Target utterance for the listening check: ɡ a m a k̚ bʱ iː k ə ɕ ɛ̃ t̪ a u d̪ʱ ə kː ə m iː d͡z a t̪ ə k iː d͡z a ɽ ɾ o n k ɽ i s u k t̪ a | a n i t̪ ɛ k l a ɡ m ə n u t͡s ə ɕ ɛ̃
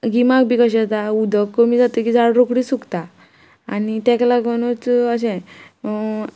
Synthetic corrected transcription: ɡ i m a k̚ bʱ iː k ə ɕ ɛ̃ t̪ a u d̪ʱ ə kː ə m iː d͡z a t̪ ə k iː d͡z a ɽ ɾ o k ɽ i s u k t̪ a | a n i t̪ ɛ k l a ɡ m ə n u t͡s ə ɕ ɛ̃